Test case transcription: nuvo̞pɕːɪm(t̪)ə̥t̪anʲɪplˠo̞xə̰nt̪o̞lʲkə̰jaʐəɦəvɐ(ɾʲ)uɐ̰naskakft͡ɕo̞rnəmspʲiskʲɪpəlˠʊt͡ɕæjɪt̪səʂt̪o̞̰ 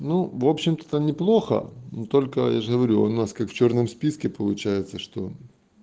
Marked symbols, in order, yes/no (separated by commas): yes, yes